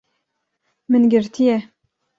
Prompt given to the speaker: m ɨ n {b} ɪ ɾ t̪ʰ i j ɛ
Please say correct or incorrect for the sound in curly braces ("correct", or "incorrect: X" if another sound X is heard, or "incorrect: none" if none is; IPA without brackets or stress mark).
incorrect: ɡ